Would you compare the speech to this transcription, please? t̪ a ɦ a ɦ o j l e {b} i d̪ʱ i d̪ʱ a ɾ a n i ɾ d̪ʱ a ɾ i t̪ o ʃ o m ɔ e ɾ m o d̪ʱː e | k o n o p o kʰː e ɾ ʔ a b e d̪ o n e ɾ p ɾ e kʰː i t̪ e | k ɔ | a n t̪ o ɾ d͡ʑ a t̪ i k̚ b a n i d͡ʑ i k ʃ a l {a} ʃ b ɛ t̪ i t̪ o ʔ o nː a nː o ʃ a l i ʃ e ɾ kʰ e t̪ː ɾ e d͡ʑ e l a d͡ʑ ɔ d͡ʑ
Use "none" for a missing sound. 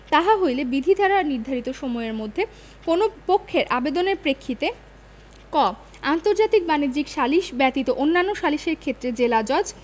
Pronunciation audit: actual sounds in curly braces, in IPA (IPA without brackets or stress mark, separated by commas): b, i